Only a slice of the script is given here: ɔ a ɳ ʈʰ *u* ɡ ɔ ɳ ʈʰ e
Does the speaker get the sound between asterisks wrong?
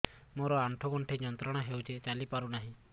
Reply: yes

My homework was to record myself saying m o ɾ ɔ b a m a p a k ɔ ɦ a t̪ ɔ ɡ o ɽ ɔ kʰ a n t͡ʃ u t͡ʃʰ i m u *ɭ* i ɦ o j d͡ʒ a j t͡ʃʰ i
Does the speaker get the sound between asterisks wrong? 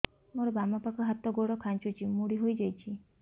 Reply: yes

